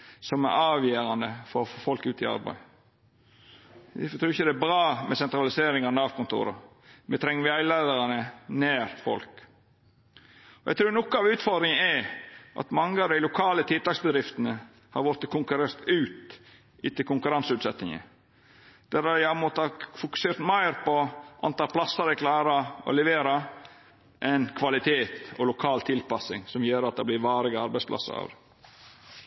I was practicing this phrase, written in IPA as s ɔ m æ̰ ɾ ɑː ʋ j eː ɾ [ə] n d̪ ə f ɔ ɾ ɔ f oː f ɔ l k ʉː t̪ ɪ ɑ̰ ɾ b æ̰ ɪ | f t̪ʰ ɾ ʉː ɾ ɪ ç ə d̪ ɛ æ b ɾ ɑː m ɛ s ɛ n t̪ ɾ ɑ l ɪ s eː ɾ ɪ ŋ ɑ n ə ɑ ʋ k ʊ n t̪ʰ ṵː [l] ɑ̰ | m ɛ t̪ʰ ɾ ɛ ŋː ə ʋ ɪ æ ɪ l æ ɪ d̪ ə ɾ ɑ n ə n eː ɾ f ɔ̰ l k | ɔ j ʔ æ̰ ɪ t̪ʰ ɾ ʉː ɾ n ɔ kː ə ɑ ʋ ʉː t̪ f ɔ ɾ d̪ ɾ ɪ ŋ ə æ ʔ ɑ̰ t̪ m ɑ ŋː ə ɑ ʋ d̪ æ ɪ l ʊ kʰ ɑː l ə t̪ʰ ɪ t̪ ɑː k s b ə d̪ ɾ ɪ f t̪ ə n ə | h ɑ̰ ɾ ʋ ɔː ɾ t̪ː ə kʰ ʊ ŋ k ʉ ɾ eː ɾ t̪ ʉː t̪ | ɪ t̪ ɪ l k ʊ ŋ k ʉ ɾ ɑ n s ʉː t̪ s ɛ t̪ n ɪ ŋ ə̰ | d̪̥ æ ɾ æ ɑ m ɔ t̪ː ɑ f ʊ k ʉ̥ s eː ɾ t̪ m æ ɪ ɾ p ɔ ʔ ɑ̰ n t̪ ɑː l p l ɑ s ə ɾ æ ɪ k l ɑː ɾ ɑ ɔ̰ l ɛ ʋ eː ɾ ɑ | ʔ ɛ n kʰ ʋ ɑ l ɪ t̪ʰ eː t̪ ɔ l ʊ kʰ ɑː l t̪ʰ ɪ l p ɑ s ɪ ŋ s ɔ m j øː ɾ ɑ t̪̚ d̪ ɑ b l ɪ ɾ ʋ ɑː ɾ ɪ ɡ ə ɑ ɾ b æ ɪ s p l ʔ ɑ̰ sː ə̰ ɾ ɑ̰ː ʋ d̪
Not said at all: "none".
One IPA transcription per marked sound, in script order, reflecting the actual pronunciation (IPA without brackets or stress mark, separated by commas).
ɑ, ɾ